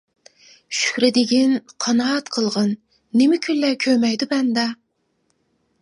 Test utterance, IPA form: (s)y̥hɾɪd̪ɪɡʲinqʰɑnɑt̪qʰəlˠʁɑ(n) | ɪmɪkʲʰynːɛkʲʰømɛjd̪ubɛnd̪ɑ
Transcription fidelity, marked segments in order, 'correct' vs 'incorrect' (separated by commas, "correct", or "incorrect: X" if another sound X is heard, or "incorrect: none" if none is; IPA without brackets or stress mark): incorrect: ʃ, incorrect: nː